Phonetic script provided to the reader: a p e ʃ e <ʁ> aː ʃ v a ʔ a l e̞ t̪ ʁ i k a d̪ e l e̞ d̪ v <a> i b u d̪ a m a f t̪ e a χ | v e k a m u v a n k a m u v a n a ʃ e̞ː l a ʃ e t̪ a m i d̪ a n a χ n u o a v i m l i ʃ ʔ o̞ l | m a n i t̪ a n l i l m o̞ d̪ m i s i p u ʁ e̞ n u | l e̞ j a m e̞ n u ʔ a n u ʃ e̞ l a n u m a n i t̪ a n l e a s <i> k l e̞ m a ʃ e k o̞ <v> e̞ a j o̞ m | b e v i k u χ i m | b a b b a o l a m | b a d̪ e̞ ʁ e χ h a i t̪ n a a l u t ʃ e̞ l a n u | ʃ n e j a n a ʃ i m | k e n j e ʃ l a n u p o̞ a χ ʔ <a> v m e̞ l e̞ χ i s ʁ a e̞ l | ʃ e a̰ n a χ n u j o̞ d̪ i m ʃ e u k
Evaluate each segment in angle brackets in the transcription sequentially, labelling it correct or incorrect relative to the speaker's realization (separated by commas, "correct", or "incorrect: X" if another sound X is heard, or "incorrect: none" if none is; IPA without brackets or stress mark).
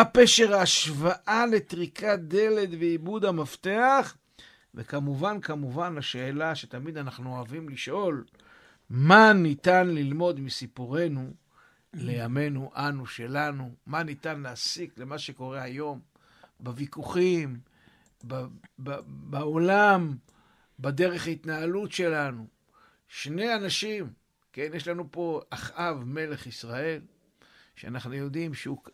correct, incorrect: e, correct, incorrect: ʁ, correct